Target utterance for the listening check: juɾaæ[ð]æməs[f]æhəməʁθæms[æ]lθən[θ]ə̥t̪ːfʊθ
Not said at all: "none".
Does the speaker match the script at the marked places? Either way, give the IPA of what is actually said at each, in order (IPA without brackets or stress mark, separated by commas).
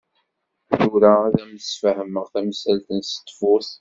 ð, f, æ, s